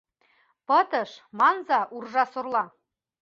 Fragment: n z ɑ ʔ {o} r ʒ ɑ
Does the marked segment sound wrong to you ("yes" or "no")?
yes